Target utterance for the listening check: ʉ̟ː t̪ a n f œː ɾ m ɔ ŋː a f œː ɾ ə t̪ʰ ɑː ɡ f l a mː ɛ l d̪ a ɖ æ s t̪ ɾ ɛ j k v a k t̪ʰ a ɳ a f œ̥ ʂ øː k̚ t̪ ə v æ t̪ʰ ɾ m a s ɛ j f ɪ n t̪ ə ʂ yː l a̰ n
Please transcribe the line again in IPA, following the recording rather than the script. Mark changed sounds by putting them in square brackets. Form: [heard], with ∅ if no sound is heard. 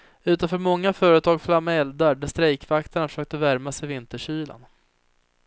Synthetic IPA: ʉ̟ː t̪ a n f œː ɾ m ɔ ŋː a f œː ɾ ə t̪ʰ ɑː ɡ f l a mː ɛ l d̪ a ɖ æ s t̪ ɾ ɛ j k v a k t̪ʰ a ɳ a f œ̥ ʂ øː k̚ t̪ ə v æ [∅] ɾ m a s ɛ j [v] ɪ n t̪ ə ʂ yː l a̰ n